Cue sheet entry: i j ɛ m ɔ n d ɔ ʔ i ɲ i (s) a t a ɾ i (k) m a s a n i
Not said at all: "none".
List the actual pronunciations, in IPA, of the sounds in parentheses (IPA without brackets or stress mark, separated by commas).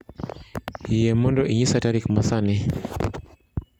s, k